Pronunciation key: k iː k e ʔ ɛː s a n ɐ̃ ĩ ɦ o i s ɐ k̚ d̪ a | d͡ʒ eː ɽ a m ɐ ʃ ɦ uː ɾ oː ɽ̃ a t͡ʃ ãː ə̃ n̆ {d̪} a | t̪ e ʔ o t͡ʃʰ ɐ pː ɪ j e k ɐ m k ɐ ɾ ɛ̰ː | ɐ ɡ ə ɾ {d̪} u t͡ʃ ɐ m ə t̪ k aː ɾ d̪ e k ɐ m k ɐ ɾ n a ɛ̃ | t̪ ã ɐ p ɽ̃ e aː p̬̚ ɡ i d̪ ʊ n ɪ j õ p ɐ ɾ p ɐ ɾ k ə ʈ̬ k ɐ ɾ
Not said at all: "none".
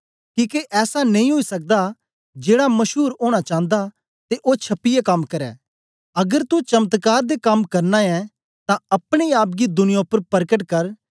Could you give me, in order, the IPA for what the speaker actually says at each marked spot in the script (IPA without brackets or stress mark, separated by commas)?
d̪, t̪